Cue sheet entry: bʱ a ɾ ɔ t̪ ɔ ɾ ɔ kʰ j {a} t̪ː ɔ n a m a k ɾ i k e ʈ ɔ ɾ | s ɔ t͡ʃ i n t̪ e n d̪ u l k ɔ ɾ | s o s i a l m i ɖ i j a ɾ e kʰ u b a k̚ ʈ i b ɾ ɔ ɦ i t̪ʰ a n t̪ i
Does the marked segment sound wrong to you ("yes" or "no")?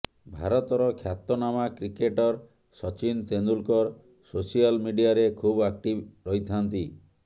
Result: no